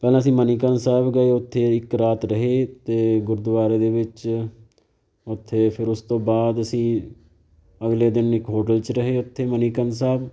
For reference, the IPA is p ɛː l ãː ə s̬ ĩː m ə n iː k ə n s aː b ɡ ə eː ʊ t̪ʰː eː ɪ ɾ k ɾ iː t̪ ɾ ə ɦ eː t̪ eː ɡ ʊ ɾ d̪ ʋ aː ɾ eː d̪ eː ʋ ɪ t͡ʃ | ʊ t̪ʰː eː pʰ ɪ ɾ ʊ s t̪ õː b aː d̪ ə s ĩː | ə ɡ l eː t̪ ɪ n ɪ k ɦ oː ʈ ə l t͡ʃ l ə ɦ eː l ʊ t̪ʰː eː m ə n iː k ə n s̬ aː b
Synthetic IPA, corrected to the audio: p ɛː l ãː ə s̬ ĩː m ə n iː k ə n s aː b ɡ ə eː ʊ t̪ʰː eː ɪ k ɾ aː t̪ ɾ ə ɦ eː t̪ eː ɡ ʊ ɾ d̪ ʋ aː ɾ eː d̪ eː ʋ ɪ t͡ʃ | ʊ t̪ʰː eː pʰ ɪ ɾ ʊ s t̪ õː b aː d̪ ə s ĩː | ə ɡ l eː d̪ ɪ n ɪ k ɦ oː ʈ ə l t͡ʃ ɾ ə ɦ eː ʊ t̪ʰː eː m ə n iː k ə n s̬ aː b